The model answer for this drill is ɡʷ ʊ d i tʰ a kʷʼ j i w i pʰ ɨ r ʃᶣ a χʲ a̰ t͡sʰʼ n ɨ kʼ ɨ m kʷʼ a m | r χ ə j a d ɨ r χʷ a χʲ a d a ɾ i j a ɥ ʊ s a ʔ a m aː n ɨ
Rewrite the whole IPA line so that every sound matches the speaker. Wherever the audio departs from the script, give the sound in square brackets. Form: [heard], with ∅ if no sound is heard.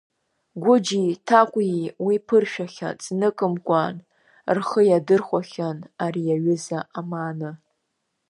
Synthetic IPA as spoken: ɡʷ ʊ [d͡ʒ] i tʰ a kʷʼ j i w i pʰ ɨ r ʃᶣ a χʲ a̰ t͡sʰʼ n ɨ kʼ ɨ m kʷʼ a [n] | r χ ə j a d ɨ r χʷ a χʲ a [n] a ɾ i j a ɥ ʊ [z] a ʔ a m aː n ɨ